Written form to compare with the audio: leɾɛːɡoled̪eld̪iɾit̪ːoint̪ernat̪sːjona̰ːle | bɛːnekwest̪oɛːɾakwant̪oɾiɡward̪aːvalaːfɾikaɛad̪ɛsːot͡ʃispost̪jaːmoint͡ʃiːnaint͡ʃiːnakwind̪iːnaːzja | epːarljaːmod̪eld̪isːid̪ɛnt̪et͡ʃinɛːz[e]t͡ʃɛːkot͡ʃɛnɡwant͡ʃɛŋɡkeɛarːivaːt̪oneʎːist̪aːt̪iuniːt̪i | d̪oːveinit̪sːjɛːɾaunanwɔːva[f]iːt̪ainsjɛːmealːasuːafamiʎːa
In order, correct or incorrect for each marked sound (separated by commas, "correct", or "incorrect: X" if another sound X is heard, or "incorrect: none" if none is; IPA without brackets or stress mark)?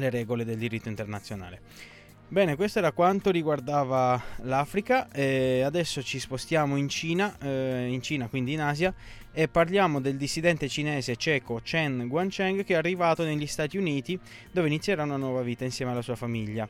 correct, incorrect: v